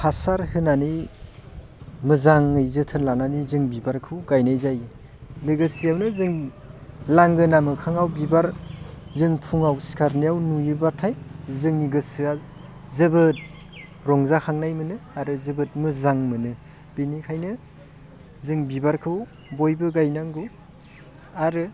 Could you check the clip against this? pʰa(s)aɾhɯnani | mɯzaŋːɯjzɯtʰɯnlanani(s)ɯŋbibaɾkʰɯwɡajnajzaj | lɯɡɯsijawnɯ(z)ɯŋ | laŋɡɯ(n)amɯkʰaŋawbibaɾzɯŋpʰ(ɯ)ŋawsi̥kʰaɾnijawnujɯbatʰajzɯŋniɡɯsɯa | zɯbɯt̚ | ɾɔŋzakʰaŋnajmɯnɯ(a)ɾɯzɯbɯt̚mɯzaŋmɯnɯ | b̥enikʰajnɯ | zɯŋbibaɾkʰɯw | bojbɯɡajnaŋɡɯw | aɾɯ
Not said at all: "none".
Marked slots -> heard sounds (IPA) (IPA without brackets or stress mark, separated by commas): s, z, z, n, u, a